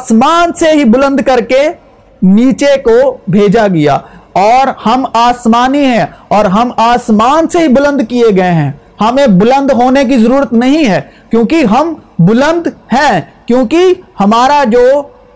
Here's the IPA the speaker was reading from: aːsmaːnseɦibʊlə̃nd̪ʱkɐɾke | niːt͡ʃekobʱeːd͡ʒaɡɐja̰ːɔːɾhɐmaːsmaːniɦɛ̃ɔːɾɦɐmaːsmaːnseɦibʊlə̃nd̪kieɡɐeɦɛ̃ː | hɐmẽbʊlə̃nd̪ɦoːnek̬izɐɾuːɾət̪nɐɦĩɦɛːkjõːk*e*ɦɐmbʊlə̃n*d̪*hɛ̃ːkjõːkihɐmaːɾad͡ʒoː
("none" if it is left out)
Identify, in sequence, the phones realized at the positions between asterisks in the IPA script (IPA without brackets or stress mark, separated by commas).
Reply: i, d̪